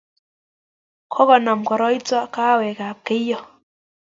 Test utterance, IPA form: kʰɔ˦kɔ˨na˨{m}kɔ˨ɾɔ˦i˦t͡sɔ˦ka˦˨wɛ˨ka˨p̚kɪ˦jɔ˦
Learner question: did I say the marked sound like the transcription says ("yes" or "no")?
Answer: yes